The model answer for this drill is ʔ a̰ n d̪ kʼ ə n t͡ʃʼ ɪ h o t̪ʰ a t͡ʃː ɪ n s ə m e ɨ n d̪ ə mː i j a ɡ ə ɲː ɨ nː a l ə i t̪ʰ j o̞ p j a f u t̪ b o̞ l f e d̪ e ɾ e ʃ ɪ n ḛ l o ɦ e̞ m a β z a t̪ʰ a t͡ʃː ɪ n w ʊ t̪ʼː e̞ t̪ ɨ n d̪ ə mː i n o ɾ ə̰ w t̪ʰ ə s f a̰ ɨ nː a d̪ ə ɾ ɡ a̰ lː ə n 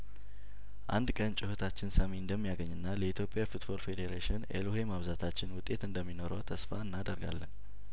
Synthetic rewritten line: ʔ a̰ n d̪ kʼ ə n t͡ʃʼ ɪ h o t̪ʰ a t͡ʃː ɪ n s ə m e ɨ n d̪ ə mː i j a ɡ ə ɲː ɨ nː a l ə i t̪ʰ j o̞ pʼ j a f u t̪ b o̞ l f e d̪ e ɾ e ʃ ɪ n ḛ l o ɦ e̞ m a β z a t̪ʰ a t͡ʃː ɪ n w ʊ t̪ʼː e̞ t̪ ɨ n d̪ ə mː i n o ɾ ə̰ w t̪ʰ ə s f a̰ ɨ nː a d̪ ə ɾ ɡ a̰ lː ə n

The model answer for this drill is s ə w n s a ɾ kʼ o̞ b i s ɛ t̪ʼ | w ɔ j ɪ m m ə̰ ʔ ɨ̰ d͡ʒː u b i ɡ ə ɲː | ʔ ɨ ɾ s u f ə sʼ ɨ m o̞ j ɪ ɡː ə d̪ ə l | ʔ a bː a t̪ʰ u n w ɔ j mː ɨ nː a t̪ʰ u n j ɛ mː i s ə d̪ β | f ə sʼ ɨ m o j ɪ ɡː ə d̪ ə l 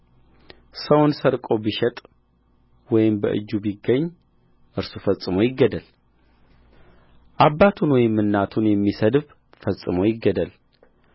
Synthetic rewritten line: s ə w n s ə ɾ kʼ o̞ b i ʃ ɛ t̪ʼ | w ɔ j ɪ m b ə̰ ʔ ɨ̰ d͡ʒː u b i ɡ ə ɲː | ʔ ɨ ɾ s u f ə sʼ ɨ m o̞ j ɪ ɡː ə d̪ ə l | ʔ a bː a t̪ʰ u n w ɔ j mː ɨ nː a t̪ʰ u n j ɛ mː i s ə d̪ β | f ə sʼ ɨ m o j ɪ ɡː ə d̪ ə l

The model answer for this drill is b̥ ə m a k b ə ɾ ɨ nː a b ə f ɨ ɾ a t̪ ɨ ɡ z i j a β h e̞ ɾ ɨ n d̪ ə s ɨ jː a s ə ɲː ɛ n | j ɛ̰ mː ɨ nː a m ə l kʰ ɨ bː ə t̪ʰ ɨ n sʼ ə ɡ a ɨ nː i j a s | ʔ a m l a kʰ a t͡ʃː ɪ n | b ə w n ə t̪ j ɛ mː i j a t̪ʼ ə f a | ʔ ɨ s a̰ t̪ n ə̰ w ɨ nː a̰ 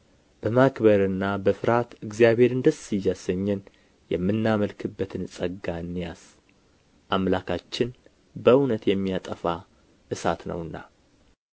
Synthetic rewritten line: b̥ ə m a k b ə ɾ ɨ nː a b ə f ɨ ɾ a t̪ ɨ ɡ z i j a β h e̞ ɾ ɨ n d̪ ə s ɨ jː a s ə ɲː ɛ n | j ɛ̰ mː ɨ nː a m ə l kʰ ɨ bː ə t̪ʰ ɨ n sʼ ə ɡ a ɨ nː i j a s | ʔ a m l a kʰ a t͡ʃː ɪ n | b ə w n ə t̪ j ɛ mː i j a t̪ʼ ə f a | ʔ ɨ s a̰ t̪ n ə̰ w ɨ nː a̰

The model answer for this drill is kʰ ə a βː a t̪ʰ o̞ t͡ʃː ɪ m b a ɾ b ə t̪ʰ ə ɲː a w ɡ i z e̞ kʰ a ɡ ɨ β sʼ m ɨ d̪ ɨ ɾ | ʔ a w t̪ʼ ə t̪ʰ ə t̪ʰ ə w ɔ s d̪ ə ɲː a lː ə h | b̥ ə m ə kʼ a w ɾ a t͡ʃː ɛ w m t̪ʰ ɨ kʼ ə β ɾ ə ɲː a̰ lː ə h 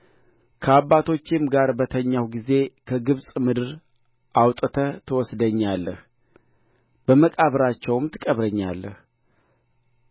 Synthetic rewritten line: kʰ ə a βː a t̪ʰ o̞ t͡ʃː ɪ m ɡ a ɾ b ə t̪ʰ ə ɲː a w ɡ i z e̞ kʰ ə ɡ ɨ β sʼ m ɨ d̪ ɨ ɾ | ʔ a w t̪ʼ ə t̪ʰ ə t̪ʰ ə w ɔ s d̪ ə ɲː a lː ə h | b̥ ə m ə kʼ a β ɾ a t͡ʃː ɛ w m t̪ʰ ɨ kʼ ə β ɾ ə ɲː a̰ lː ə h

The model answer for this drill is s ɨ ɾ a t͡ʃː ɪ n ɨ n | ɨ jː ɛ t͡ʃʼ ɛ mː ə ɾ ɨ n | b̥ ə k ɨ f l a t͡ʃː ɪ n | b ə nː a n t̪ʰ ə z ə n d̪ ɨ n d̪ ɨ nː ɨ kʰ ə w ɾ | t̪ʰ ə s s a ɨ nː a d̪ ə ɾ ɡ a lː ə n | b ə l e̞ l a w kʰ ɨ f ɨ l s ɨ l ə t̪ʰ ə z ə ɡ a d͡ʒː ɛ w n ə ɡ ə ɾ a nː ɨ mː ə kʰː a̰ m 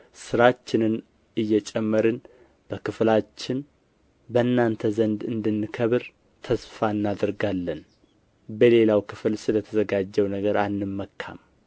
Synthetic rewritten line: s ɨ ɾ a t͡ʃː ɪ n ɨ n | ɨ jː ɛ t͡ʃʼ ɛ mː ə ɾ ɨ n | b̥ ə k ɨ f l a t͡ʃː ɪ n | b ə nː a n t̪ʰ ə z ə n d̪ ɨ n d̪ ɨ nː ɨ kʰ ə β ɾ | t̪ʰ ə s f a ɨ nː a d̪ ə ɾ ɡ a lː ə n | b ə l e̞ l a w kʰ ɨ f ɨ l s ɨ l ə t̪ʰ ə z ə ɡ a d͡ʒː ɛ w n ə ɡ ə ɾ a nː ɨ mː ə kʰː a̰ m

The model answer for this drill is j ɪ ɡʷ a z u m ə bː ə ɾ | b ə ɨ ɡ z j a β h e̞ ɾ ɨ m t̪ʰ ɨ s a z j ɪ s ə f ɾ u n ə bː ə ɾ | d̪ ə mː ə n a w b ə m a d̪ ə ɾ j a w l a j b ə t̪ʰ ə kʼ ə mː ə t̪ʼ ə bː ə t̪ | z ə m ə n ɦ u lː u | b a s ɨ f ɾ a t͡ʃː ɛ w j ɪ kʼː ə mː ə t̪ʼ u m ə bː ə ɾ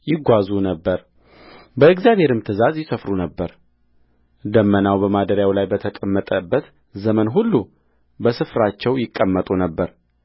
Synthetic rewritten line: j ɪ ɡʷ a z u n ə bː ə ɾ | b ə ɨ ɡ z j a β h e̞ ɾ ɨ m t̪ʰ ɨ z a z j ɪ s ə f ɾ u n ə bː ə ɾ | d̪ ə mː ə n a w b ə m a d̪ ə ɾ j a w l a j b ə t̪ʰ ə kʼ ə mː ə t̪ʼ ə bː ə t̪ | z ə m ə n ɦ u lː u | b ə s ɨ f ɾ a t͡ʃː ɛ w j ɪ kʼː ə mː ə t̪ʼ u n ə bː ə ɾ

